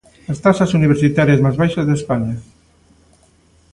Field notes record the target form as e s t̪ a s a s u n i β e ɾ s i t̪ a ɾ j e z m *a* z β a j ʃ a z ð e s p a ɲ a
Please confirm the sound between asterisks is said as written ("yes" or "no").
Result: yes